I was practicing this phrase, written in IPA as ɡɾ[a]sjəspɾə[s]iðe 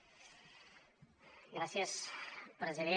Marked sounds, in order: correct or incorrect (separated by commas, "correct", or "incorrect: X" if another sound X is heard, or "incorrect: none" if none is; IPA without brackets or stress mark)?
correct, incorrect: z